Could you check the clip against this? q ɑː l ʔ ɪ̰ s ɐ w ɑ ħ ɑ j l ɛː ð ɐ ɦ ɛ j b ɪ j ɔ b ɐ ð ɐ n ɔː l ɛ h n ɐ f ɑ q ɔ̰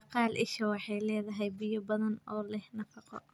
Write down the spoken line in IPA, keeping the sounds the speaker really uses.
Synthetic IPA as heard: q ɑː l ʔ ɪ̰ ʃ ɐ w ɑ ħ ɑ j l ɛː ð ɐ ɦ ɛ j b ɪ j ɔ b ɐ ð ɐ n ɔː l ɛ h n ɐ f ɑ q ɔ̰